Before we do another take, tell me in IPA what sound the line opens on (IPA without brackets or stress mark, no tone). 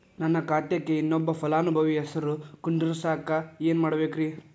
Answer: n